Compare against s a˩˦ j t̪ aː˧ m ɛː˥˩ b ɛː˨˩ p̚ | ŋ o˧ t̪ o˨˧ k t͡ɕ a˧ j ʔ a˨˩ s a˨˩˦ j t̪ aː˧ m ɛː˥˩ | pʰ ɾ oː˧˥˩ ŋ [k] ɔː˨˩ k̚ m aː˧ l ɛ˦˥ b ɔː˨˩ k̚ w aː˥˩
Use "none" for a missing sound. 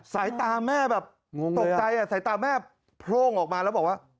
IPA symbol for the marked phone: ʔ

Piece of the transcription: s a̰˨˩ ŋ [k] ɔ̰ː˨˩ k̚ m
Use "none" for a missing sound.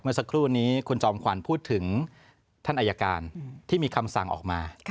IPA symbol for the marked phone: ʔ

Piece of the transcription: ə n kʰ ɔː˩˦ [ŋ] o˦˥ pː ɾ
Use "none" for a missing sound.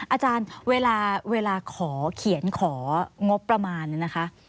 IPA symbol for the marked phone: ŋ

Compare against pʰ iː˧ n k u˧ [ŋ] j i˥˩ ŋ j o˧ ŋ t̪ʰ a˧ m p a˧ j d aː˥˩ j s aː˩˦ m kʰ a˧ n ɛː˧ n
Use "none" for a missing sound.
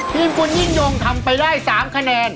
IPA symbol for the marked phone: n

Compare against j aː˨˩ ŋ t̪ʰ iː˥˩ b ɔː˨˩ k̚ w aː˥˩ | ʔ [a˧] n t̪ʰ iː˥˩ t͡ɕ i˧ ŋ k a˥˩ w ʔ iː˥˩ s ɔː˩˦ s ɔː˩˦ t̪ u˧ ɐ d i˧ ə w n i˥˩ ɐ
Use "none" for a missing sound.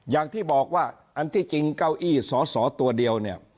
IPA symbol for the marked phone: a˧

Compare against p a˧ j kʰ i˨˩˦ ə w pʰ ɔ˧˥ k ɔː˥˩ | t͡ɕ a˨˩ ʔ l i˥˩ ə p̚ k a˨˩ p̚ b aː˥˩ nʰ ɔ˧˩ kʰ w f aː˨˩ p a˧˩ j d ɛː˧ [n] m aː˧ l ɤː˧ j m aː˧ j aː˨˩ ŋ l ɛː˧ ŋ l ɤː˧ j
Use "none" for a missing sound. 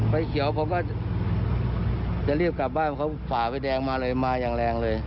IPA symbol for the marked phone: ŋ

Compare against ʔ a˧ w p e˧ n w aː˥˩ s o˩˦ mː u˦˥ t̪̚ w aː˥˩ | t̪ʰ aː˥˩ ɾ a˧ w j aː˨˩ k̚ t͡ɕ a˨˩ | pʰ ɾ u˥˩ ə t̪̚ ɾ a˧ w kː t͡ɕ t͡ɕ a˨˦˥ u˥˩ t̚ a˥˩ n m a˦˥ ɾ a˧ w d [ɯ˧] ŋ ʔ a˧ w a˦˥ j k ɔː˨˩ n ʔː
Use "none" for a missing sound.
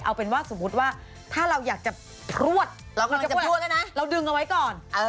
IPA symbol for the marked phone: ɯ˧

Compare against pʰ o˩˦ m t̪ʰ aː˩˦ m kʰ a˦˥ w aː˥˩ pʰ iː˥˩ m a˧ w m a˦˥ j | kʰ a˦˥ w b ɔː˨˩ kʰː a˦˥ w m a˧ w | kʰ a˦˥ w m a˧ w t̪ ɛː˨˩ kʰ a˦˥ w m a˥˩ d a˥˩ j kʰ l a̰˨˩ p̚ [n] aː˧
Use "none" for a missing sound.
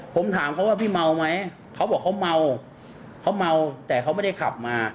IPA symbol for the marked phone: m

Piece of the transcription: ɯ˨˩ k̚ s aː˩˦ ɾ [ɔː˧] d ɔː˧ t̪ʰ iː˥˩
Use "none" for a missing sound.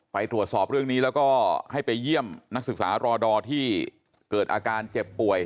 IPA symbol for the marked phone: ɔː˧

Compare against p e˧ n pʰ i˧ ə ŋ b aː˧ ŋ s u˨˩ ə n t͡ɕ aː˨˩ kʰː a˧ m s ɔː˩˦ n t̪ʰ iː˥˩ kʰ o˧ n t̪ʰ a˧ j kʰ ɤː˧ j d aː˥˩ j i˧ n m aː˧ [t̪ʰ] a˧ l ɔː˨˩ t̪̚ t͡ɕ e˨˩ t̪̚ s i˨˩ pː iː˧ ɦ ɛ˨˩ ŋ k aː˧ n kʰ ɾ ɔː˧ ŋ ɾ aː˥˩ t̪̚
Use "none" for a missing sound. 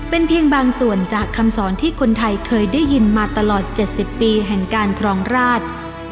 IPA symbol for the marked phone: t̪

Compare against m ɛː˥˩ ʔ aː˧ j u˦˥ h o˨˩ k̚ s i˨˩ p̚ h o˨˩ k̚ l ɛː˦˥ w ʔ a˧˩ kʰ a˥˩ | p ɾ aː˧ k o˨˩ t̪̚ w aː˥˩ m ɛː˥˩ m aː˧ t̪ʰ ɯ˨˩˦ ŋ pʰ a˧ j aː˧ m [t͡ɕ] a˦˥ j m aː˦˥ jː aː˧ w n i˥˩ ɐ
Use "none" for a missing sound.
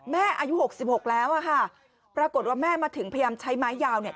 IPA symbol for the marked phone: t͡ɕʰ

